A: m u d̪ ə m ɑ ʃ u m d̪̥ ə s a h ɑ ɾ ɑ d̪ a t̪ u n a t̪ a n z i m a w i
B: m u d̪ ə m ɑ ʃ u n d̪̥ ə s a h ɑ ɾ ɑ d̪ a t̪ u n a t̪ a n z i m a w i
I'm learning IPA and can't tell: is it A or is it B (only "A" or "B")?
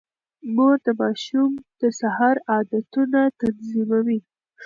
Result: A